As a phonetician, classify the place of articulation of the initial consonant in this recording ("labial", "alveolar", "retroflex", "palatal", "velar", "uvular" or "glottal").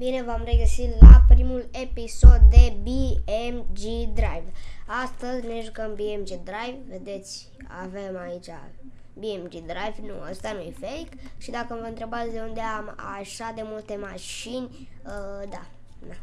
labial